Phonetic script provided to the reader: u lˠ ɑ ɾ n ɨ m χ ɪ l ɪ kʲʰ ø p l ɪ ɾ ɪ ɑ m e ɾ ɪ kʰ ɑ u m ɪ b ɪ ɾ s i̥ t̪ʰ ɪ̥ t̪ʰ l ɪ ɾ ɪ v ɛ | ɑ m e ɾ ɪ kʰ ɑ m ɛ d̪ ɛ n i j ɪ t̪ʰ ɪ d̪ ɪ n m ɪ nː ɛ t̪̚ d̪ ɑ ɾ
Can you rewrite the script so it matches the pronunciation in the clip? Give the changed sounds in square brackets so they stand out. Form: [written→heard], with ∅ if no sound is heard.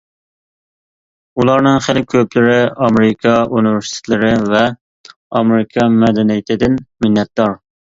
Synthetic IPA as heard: u lˠ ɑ ɾ n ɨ [m→ŋ] χ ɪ l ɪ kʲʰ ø p l ɪ ɾ ɪ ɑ m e ɾ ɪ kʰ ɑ u [m→n] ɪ [b→v] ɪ ɾ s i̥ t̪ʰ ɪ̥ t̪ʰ l ɪ ɾ ɪ v ɛ | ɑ m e ɾ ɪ kʰ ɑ m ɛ d̪ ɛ n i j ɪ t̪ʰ ɪ d̪ ɪ n m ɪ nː ɛ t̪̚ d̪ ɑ ɾ

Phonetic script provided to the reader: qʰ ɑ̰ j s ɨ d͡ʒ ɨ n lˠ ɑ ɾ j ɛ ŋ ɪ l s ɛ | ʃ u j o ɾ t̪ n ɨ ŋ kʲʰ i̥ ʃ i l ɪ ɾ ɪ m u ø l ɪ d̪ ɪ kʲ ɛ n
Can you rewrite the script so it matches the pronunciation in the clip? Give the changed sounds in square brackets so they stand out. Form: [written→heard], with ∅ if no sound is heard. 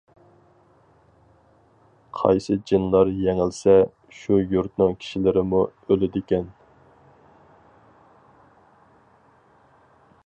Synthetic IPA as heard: qʰ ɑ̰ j s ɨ d͡ʒ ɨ n lˠ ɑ ɾ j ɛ ŋ ɪ l s ɛ | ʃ u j [o→u] ɾ t̪ n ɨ ŋ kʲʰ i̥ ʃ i l ɪ ɾ ɪ m u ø l ɪ d̪ ɪ kʲ ɛ n

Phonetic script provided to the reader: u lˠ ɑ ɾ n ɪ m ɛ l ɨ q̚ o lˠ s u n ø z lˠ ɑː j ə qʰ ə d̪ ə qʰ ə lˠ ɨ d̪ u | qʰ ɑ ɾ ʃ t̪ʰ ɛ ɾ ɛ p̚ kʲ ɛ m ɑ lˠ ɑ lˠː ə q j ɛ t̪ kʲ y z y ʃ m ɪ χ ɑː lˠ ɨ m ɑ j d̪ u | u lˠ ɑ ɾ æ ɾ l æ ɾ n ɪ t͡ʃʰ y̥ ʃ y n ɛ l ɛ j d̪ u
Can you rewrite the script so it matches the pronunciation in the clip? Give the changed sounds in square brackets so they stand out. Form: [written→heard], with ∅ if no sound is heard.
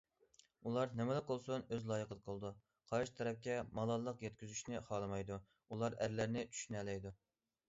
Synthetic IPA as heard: u lˠ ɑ ɾ n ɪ m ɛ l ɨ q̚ o lˠ s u n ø z lˠ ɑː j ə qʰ ə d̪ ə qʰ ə lˠ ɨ d̪ u | qʰ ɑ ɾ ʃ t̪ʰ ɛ ɾ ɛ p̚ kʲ ɛ m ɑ lˠ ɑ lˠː ə q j ɛ t̪ kʲ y z y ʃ [m→n] ɪ χ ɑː lˠ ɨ m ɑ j d̪ u | u lˠ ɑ ɾ æ ɾ l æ ɾ n ɪ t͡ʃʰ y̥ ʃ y n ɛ l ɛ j d̪ u

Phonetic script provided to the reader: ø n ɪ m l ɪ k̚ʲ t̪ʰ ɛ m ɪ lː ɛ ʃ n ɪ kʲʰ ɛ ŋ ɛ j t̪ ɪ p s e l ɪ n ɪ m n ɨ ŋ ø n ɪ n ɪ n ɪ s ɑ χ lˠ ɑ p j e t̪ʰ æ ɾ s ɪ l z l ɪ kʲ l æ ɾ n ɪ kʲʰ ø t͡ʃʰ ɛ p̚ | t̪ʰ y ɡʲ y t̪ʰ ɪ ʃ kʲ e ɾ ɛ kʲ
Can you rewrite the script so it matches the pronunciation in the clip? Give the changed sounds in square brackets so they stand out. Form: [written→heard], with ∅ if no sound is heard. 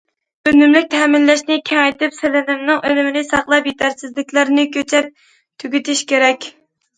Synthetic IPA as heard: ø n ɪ m l ɪ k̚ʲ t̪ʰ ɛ m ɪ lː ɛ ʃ n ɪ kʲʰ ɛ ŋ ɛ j t̪ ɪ p s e l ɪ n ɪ m n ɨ ŋ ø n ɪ [n→m] ɪ n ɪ s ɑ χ lˠ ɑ p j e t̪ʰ æ ɾ s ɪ [l→∅] z l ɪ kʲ l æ ɾ n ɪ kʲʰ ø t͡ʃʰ ɛ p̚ | t̪ʰ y ɡʲ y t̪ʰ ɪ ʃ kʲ e ɾ ɛ kʲ

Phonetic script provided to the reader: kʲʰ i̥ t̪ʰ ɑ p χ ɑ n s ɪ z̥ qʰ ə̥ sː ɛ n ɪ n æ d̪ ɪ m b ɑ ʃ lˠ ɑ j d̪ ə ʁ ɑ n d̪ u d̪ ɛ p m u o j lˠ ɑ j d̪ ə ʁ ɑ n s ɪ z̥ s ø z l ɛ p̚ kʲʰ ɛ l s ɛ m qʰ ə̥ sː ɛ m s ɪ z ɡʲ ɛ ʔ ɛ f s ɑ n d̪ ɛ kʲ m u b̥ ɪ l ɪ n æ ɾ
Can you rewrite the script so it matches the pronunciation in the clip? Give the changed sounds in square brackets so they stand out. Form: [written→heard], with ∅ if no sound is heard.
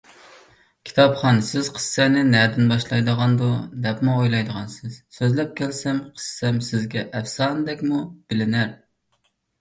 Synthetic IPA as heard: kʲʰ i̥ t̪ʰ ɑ p χ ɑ n s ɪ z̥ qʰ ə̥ sː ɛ n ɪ n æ d̪ ɪ [m→n] b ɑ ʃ lˠ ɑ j d̪ ə ʁ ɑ n d̪ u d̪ ɛ p m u o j lˠ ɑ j d̪ ə ʁ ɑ n s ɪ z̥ s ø z l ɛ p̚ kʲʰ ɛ l s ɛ m qʰ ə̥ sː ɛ m s ɪ z ɡʲ ɛ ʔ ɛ f s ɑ n d̪ ɛ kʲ m u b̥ ɪ l ɪ n æ ɾ

